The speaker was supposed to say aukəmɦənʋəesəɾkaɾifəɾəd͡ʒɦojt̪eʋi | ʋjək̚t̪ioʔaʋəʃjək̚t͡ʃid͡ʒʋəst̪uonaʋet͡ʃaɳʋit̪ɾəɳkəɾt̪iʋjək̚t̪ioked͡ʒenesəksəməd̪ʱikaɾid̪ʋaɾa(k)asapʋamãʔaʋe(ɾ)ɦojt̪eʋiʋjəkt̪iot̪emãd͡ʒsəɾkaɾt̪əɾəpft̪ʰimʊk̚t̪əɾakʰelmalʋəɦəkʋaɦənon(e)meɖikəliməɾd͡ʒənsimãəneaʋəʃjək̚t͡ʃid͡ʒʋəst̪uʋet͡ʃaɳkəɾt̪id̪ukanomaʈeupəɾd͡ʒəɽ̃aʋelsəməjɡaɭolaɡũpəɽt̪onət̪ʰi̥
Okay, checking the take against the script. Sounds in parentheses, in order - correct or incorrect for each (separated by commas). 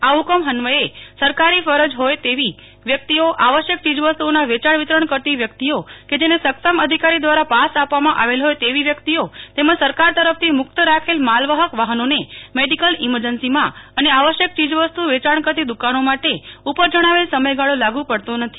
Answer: incorrect, incorrect, correct